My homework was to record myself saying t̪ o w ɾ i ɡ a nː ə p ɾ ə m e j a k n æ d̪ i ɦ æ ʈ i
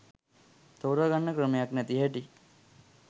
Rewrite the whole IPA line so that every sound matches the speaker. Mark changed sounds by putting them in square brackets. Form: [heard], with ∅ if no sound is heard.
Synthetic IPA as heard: t̪ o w ɾ [a] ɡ a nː ə [k] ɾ ə m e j a k n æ [t̪] i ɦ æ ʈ i